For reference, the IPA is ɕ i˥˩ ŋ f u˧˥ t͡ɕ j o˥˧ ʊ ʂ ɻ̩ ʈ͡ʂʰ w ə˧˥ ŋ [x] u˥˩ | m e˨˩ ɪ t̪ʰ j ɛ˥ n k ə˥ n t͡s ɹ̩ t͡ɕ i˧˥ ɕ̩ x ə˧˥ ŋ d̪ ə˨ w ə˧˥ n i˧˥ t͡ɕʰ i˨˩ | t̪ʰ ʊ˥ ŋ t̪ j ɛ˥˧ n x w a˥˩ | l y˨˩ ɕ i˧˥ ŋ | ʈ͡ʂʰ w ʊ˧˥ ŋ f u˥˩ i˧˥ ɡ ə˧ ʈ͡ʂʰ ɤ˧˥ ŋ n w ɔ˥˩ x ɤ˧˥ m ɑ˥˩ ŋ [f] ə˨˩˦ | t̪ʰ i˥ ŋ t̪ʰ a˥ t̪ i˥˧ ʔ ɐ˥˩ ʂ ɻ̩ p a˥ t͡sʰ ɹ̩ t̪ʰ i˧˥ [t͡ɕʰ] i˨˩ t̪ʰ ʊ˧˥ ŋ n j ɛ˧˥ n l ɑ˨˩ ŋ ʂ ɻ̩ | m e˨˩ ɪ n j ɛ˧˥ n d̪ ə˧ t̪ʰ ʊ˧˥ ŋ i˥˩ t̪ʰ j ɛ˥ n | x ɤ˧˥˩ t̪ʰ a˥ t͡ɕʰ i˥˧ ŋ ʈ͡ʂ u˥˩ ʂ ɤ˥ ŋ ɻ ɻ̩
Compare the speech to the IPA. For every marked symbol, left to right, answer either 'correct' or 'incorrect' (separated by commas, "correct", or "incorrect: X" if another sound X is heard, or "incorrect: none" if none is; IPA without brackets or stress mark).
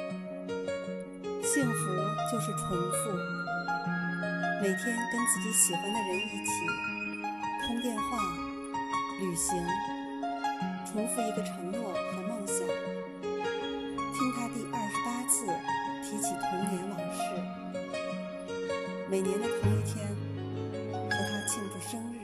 incorrect: f, incorrect: ɕ, correct